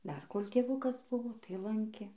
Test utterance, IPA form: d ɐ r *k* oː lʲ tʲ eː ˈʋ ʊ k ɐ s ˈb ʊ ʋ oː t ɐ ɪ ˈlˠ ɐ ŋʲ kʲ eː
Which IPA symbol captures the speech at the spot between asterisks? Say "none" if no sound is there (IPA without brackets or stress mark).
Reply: k